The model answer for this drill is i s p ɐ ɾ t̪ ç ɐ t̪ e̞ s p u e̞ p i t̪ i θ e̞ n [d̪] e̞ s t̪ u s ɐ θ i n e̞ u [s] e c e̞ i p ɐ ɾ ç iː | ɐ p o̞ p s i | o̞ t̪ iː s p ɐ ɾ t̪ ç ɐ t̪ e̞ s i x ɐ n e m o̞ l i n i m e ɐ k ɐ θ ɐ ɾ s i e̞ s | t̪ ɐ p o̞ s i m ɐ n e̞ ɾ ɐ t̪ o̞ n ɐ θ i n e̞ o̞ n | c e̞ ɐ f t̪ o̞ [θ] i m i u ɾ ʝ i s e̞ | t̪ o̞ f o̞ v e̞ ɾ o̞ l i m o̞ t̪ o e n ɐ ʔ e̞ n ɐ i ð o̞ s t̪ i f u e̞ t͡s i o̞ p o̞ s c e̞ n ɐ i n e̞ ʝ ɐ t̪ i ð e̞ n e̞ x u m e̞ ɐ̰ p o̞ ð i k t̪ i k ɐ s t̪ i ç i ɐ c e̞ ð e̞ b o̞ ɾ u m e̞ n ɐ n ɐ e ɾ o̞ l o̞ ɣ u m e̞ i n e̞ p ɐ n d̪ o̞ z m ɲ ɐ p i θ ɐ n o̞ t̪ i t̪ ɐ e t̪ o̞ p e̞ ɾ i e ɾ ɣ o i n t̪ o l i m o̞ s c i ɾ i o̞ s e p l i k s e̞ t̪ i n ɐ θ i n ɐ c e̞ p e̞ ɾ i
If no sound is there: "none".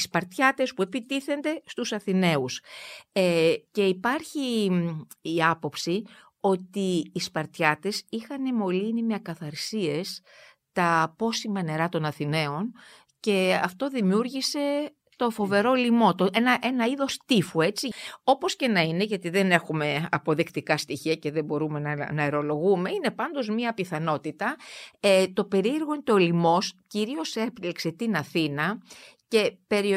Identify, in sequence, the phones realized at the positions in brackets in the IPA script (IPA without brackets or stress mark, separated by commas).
d̪, s, ð